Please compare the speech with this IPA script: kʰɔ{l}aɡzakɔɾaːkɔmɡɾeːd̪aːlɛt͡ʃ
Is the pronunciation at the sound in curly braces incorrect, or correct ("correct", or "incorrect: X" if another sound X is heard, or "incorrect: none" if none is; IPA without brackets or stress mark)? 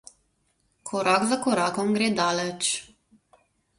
incorrect: ɾ